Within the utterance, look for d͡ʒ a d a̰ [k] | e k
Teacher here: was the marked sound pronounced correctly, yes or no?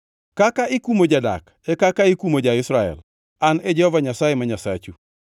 yes